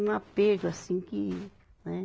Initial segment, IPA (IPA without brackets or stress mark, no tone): n